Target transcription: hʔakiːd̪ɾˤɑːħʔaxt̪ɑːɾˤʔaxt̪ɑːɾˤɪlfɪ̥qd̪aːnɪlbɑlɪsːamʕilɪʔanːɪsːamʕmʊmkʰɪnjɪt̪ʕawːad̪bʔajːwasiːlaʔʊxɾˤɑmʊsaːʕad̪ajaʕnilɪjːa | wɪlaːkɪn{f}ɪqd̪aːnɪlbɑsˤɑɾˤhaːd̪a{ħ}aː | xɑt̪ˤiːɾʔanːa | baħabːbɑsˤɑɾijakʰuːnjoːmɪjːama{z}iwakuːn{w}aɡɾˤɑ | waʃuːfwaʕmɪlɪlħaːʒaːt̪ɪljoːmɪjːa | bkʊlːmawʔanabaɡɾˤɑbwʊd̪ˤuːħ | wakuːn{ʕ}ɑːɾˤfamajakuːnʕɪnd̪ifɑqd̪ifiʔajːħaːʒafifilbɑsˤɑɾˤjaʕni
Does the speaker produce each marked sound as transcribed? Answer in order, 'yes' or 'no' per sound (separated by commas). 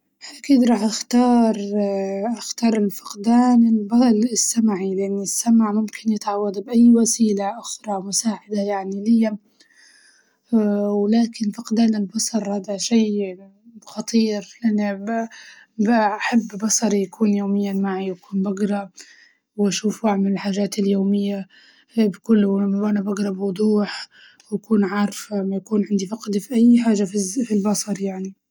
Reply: yes, no, no, no, yes